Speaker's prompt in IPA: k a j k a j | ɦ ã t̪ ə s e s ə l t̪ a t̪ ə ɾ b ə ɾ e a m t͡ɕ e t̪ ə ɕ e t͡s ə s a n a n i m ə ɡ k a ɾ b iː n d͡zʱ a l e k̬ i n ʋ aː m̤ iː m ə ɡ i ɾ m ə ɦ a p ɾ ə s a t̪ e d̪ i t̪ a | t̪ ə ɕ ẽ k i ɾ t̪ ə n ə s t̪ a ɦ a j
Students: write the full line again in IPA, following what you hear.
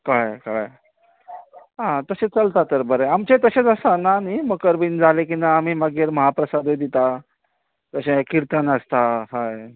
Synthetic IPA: k a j k a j | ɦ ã t̪ ə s e t͡s ə l t̪ a t̪ ə ɾ b ə ɾ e a m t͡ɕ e t̪ ə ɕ e t͡s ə s a n a n i m ə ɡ k ə ɾ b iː n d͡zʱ a l e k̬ i n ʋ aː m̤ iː m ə ɡ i ɾ m ə ɦ a p ɾ ə s a d̪ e d̪ i t̪ a | t̪ ə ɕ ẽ k i ɾ t̪ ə n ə s t̪ a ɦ a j